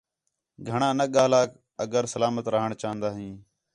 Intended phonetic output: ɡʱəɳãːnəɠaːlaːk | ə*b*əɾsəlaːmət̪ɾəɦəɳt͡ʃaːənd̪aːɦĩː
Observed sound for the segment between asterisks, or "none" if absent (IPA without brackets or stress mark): ɡ